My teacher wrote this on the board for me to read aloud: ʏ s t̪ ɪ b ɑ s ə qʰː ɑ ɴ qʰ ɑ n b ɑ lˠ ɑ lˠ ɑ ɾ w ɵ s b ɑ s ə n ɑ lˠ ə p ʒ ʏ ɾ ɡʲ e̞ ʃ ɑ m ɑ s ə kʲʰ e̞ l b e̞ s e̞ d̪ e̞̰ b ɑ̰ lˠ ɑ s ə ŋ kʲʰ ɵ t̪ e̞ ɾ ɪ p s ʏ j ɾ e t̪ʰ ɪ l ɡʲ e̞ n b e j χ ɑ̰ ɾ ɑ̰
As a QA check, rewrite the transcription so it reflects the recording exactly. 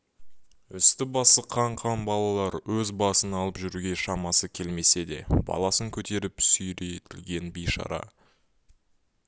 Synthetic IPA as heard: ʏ s t̪ ɪ b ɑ s ə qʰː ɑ ɴ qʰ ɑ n b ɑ lˠ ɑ lˠ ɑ ɾ w ɵ z b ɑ s ə n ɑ lˠ ə p ʒ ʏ ɾ ɡʲ e̞ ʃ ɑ m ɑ s ə kʲʰ e̞ l m e̞ s e̞ d̪ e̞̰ b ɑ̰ lˠ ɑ s ə ŋ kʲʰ ɵ t̪ e̞ ɾ ɪ p s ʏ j ɾ e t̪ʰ ɪ l ɡʲ e̞ n b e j ʃ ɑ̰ ɾ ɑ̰